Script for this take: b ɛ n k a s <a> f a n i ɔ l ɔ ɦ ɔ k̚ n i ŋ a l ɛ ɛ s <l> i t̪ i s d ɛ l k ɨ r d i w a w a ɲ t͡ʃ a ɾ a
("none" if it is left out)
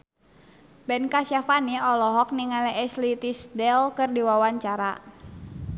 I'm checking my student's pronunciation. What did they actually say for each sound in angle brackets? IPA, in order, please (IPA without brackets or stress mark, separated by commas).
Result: a, l